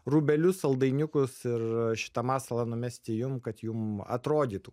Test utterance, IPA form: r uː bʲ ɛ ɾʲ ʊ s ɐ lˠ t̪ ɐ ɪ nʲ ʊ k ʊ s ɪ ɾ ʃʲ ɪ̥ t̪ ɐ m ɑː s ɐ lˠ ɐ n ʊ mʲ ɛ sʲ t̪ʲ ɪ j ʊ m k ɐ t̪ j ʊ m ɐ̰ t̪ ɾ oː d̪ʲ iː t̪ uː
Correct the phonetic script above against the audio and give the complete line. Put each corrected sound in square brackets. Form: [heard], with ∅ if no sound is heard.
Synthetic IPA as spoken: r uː bʲ ɛ [lʲ] ʊ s ɐ lˠ [d̪] ɐ ɪ nʲ ʊ k ʊ s ɪ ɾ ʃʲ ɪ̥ t̪ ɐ m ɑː s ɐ lˠ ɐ n ʊ mʲ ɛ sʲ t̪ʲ ɪ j ʊ m k ɐ t̪ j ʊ m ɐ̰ t̪ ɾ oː d̪ʲ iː t̪ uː

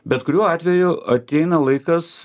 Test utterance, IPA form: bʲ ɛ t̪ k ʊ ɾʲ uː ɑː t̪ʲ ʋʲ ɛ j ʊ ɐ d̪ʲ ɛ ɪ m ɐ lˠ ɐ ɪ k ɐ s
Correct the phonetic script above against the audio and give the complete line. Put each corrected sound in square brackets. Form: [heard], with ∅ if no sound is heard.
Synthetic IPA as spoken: bʲ ɛ t̪ k ʊ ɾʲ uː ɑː t̪ʲ ʋʲ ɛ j ʊ ɐ [t̪ʲ] ɛ ɪ [n] ɐ lˠ ɐ ɪ k ɐ s

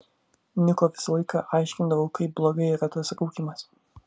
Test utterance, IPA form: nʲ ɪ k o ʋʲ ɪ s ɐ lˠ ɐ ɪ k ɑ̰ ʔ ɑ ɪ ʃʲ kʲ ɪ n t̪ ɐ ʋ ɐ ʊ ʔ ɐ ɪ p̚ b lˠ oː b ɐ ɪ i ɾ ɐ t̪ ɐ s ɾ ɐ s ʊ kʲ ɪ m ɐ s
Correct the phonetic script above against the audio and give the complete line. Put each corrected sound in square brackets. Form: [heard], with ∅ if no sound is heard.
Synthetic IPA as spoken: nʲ ɪ k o ʋʲ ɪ s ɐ lˠ ɐ ɪ k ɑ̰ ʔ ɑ ɪ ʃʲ kʲ ɪ n [d̪] ɐ ʋ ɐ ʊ [k] ɐ ɪ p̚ b lˠ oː [ɡ] ɐ ɪ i ɾ ɐ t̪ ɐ s ɾ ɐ [∅] ʊ kʲ ɪ m ɐ s

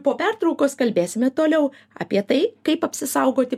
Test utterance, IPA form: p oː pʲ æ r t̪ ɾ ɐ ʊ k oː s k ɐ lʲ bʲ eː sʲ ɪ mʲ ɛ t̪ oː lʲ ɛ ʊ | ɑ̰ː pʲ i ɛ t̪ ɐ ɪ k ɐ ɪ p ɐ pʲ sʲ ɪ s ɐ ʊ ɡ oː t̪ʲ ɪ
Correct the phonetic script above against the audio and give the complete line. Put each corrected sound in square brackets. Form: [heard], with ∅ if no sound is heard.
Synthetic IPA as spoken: p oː pʲ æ r t̪ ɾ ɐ ʊ k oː s k ɐ lʲ bʲ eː sʲ ɪ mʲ ɛ t̪ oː lʲ ɛ ʊ | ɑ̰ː pʲ i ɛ t̪ ɐ ɪ k ɐ ɪ p ɐ pʲ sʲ ɪ s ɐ ʊ ɡ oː t̪ʲ ɪ

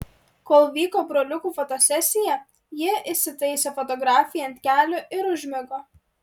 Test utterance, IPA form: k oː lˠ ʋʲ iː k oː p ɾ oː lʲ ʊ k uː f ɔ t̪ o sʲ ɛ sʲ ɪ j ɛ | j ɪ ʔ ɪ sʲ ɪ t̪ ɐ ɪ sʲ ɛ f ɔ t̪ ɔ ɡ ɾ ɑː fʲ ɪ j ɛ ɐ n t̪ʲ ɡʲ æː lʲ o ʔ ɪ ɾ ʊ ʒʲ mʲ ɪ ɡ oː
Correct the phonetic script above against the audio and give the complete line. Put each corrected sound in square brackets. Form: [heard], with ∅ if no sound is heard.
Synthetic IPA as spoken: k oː lˠ ʋʲ iː k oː [b] ɾ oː lʲ ʊ k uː f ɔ t̪ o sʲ ɛ sʲ ɪ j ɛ | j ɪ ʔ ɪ sʲ ɪ t̪ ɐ ɪ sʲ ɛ f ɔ t̪ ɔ ɡ ɾ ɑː fʲ ɪ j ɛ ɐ n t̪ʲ [kʲ] æː lʲ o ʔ ɪ ɾ ʊ ʒʲ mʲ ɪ ɡ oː

